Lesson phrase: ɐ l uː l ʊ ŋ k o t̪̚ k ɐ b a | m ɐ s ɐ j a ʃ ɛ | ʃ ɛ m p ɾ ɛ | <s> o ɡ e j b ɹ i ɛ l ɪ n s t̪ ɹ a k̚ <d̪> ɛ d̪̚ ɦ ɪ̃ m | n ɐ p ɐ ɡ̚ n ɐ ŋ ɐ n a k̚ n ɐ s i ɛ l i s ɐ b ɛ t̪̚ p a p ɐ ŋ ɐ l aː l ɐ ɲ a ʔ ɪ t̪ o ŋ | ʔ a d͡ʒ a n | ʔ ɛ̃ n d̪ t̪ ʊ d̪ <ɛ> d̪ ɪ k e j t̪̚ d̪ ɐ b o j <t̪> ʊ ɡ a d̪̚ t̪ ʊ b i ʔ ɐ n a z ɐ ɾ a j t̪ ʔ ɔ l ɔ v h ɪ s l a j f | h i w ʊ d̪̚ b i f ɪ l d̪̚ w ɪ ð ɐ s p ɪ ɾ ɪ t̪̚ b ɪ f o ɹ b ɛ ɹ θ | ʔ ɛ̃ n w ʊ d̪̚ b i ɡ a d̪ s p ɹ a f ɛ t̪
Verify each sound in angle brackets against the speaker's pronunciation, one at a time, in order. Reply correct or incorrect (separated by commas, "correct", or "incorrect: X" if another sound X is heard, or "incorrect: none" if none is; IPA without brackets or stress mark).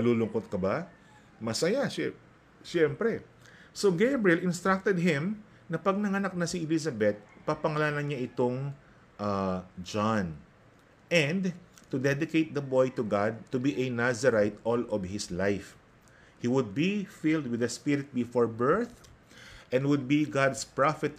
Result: correct, incorrect: t̪, correct, correct